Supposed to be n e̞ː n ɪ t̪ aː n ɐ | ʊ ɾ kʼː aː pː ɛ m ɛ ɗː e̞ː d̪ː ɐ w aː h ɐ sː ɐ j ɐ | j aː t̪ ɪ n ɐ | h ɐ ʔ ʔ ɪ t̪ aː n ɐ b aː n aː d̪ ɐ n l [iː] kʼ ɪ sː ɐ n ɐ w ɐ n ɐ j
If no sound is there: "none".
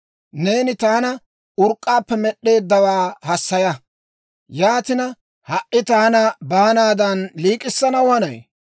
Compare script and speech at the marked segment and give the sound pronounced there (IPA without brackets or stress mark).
iː